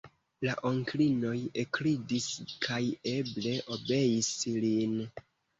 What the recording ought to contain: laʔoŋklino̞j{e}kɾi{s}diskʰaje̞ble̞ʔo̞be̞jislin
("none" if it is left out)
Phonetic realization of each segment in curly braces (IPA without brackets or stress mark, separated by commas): e, none